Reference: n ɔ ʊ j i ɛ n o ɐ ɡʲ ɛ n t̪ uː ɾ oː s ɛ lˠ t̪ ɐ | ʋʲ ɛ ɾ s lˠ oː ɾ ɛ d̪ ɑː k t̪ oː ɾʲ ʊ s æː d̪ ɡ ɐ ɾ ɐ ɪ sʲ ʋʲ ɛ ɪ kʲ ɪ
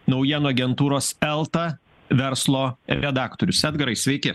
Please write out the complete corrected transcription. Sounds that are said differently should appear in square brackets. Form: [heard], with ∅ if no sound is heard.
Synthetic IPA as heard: n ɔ ʊ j i ɛ n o ɐ ɡʲ ɛ n t̪ uː ɾ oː s ɛ lˠ t̪ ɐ | ʋʲ ɛ ɾ s lˠ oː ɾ ɛ d̪ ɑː k t̪ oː ɾʲ ʊ s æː d̪ ɡ ɐ ɾ ɐ ɪ sʲ ʋʲ ɛ ɪ kʲ ɪ

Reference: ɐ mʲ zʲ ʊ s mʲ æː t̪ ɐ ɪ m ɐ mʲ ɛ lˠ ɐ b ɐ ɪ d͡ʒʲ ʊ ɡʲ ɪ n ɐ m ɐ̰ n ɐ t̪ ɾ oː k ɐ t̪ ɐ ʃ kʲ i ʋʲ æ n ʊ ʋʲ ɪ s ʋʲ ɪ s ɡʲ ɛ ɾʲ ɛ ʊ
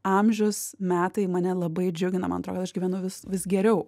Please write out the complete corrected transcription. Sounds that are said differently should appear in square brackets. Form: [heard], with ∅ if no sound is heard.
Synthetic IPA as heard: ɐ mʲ [ʒʲ] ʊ s mʲ æː t̪ ɐ ɪ m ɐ [nʲ] ɛ lˠ ɐ b ɐ ɪ d͡ʒʲ ʊ ɡʲ ɪ n ɐ m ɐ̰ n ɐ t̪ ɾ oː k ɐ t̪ ɐ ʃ [ɡʲ] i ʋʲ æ n ʊ ʋʲ ɪ s ʋʲ ɪ s ɡʲ ɛ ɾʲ ɛ ʊ

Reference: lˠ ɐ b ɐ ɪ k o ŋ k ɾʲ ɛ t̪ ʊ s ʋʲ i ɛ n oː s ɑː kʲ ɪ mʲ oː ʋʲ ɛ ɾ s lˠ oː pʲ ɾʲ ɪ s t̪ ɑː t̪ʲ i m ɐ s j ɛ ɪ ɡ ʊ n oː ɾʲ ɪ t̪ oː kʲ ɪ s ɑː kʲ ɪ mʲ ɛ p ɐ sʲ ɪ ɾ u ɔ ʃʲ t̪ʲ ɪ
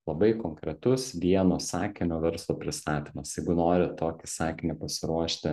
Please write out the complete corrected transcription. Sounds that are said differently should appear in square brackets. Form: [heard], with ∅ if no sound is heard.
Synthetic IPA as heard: lˠ ɐ b ɐ ɪ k o ŋ k ɾʲ ɛ t̪ ʊ s ʋʲ i ɛ n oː s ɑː kʲ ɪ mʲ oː ʋʲ ɛ ɾ s lˠ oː pʲ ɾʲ ɪ s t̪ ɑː t̪ʲ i m ɐ s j ɛ ɪ ɡ ʊ n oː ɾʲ ɪ t̪ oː kʲ ɪ s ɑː kʲ ɪ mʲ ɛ p ɐ sʲ ɪ ɾ u ɔ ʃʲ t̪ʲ ɪ

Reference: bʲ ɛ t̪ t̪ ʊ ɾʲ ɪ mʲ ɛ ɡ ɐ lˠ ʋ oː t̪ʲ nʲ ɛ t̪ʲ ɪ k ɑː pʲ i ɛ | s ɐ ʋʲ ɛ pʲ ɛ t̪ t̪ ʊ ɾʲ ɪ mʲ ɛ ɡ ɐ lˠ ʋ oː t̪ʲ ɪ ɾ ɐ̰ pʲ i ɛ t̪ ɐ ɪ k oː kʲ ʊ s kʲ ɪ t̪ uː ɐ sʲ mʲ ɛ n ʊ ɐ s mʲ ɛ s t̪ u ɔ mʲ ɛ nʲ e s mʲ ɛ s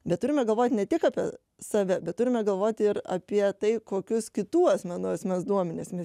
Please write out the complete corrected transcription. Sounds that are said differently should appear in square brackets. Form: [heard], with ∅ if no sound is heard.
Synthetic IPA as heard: bʲ ɛ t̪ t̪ ʊ ɾʲ ɪ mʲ ɛ ɡ ɐ lˠ ʋ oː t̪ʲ nʲ ɛ t̪ʲ ɪ k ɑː pʲ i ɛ | s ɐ ʋʲ ɛ [bʲ] ɛ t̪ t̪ ʊ ɾʲ ɪ mʲ ɛ ɡ ɐ lˠ ʋ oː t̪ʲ ɪ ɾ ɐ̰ pʲ i ɛ t̪ ɐ ɪ k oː kʲ ʊ s kʲ ɪ t̪ uː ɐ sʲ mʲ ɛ n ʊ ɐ s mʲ ɛ s [d̪] u ɔ mʲ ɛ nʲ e s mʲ ɛ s

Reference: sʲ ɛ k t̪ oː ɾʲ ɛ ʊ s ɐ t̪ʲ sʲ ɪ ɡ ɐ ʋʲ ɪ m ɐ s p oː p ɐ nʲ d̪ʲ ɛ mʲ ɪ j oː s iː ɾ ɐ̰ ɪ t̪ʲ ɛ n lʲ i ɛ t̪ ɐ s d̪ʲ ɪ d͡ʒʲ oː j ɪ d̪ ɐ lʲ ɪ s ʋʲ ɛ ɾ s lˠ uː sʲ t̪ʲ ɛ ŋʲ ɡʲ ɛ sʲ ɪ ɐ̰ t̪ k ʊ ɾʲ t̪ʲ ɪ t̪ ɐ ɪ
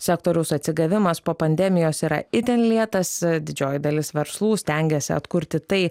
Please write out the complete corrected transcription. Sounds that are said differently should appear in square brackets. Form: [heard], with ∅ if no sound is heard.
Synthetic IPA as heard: sʲ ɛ k t̪ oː ɾʲ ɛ ʊ s ɐ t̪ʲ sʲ ɪ ɡ ɐ ʋʲ ɪ m ɐ s p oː p ɐ nʲ d̪ʲ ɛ mʲ ɪ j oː s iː ɾ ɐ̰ ɪ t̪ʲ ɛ n lʲ i ɛ t̪ ɐ s d̪ʲ ɪ d͡ʒʲ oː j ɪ d̪ ɐ lʲ ɪ s ʋʲ ɛ ɾ s lˠ uː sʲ t̪ʲ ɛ ŋʲ ɡʲ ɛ sʲ ɪ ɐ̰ t̪ k ʊ ɾʲ t̪ʲ ɪ t̪ ɐ ɪ

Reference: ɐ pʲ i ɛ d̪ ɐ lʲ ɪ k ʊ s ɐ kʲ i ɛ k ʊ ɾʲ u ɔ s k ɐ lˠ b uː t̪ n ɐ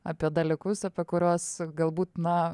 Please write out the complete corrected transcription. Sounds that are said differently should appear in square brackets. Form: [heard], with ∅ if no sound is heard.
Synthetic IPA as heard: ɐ pʲ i ɛ d̪ ɐ lʲ ɪ k ʊ s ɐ [pʲ] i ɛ k ʊ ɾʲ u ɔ s [ɡ] ɐ lˠ b uː t̪ n ɐ

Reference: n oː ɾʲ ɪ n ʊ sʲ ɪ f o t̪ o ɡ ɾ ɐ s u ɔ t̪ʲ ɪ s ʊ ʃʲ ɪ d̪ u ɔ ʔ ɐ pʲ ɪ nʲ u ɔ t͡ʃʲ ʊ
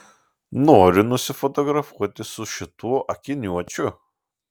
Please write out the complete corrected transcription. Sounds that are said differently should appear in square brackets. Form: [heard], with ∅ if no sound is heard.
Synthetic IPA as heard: n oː ɾʲ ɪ n ʊ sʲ ɪ f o t̪ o ɡ ɾ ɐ [f] u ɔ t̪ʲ ɪ s ʊ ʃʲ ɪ [t̪] u ɔ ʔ ɐ [kʲ] ɪ nʲ u ɔ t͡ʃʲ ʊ

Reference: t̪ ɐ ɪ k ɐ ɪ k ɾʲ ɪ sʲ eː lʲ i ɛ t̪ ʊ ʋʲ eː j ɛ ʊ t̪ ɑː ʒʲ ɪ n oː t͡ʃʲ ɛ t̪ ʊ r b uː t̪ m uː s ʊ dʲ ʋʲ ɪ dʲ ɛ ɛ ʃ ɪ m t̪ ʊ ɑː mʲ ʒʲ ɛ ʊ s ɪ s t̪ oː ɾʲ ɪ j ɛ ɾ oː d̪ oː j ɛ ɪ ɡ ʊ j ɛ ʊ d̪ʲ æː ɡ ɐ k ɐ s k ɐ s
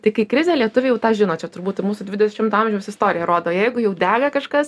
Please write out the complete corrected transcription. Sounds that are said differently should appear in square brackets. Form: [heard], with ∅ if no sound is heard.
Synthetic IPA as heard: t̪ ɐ ɪ k ɐ ɪ k ɾʲ ɪ [zʲ] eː lʲ i ɛ t̪ ʊ ʋʲ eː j ɛ ʊ t̪ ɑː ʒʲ ɪ n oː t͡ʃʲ ɛ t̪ ʊ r b uː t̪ m uː s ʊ dʲ ʋʲ ɪ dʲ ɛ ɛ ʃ ɪ m t̪ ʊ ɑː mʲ ʒʲ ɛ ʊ s ɪ s t̪ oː ɾʲ ɪ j ɛ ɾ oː d̪ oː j ɛ ɪ ɡ ʊ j ɛ ʊ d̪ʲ æː ɡ ɐ k ɐ [ʃ] k ɐ s

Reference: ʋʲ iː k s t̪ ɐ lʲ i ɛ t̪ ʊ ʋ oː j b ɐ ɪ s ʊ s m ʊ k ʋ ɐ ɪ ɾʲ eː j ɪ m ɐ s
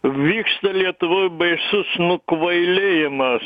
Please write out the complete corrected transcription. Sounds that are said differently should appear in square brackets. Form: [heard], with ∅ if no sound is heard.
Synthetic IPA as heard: ʋʲ iː k s t̪ ɐ lʲ i ɛ t̪ ʊ ʋ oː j b ɐ ɪ s ʊ s [n] ʊ k ʋ ɐ ɪ [lʲ] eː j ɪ m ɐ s

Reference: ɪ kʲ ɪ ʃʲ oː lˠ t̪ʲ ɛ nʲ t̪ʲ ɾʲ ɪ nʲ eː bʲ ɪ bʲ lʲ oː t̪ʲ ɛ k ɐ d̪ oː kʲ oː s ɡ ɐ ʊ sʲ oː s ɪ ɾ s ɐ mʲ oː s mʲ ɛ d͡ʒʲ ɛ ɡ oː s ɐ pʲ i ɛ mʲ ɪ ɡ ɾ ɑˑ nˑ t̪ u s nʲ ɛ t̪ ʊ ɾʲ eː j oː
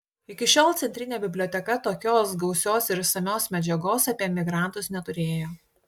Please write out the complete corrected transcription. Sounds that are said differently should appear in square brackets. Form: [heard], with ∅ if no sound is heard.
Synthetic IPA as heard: ɪ kʲ ɪ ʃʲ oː lˠ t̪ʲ ɛ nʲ t̪ʲ ɾʲ ɪ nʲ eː bʲ ɪ bʲ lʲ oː t̪ʲ ɛ k ɐ [t̪] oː kʲ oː s ɡ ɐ ʊ sʲ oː s ɪ ɾ s ɐ mʲ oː s mʲ ɛ d͡ʒʲ ɛ ɡ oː s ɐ pʲ i ɛ mʲ ɪ ɡ ɾ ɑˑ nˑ t̪ [ʊ] s nʲ ɛ t̪ ʊ ɾʲ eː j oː

